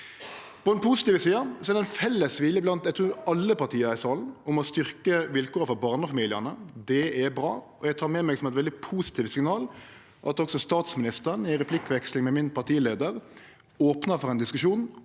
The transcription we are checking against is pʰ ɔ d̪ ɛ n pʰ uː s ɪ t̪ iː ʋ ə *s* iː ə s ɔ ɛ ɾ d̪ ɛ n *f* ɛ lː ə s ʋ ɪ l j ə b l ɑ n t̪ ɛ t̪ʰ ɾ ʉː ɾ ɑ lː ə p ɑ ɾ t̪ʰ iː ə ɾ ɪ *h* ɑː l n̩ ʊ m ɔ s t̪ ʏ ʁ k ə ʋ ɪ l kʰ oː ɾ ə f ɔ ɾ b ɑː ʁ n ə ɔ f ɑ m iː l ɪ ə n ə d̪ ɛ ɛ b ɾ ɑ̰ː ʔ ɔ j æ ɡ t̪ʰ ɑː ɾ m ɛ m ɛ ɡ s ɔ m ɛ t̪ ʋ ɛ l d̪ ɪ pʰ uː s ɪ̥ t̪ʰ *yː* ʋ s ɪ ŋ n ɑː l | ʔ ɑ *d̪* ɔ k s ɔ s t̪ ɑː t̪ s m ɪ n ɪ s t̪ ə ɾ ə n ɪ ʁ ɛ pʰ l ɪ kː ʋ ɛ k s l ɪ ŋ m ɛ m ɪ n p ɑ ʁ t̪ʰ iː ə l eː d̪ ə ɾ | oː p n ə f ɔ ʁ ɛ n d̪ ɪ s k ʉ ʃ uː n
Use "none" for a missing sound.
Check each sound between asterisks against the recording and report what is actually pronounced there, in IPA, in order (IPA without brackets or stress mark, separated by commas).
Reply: s, f, s, iː, t̪